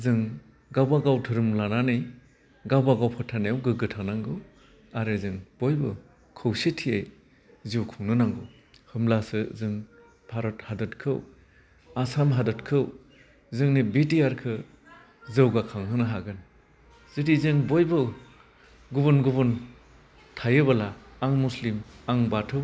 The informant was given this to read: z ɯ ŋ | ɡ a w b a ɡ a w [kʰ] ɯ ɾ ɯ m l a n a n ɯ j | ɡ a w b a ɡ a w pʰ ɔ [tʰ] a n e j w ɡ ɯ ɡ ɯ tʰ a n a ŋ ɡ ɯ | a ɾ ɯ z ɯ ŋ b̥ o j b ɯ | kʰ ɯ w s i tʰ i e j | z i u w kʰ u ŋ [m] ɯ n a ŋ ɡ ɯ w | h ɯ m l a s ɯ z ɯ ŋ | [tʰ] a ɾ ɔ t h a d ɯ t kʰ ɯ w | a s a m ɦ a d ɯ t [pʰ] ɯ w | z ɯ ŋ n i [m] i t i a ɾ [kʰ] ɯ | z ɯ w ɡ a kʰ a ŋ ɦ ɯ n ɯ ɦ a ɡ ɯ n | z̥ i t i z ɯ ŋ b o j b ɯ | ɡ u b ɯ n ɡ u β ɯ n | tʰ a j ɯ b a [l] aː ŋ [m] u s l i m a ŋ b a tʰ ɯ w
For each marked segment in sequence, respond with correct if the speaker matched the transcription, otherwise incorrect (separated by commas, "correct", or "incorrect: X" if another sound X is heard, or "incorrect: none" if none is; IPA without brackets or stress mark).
incorrect: tʰ, correct, incorrect: n, incorrect: pʰ, incorrect: kʰ, incorrect: b, correct, correct, correct